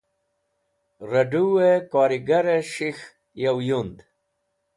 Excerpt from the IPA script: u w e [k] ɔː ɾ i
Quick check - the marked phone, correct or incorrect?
correct